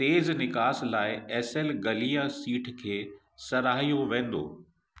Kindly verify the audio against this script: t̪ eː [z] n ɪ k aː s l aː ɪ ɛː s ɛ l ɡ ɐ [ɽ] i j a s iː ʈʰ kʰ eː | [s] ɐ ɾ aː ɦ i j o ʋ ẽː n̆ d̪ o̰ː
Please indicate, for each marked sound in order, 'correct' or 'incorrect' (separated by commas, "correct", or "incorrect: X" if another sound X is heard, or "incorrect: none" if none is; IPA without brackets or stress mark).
correct, incorrect: l, correct